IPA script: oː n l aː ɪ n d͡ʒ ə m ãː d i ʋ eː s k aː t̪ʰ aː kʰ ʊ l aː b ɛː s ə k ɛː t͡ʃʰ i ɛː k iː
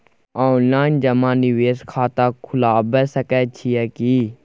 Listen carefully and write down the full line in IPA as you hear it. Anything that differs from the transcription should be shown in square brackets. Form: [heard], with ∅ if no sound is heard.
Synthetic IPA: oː n l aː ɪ n d͡ʒ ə m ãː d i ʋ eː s [kʰ] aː [t̪] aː kʰ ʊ l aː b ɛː s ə k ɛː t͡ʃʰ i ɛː k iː